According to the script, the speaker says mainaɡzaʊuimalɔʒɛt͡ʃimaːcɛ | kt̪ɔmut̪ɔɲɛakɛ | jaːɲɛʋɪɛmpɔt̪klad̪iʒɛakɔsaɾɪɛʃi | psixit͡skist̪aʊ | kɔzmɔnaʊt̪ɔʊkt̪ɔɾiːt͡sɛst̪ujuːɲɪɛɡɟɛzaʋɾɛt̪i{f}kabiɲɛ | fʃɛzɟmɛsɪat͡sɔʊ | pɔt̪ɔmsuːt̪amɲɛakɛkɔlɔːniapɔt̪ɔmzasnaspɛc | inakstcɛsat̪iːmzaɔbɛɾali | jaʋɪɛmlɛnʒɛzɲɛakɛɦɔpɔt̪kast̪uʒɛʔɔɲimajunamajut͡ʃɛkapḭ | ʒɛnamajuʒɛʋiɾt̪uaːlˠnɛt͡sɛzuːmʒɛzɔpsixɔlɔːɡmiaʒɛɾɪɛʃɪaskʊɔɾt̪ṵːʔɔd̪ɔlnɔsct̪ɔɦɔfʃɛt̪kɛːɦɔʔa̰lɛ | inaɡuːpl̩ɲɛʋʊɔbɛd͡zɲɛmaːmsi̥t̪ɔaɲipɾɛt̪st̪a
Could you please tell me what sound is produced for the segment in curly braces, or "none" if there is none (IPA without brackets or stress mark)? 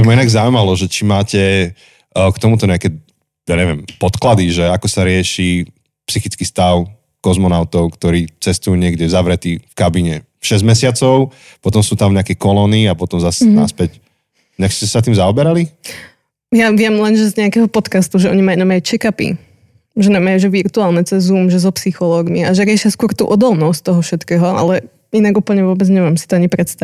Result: f